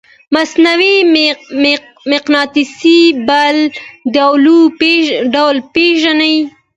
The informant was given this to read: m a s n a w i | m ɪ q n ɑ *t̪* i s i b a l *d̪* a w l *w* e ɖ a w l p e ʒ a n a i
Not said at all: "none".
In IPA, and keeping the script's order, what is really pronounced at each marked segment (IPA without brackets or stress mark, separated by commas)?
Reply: t̪, d̪, u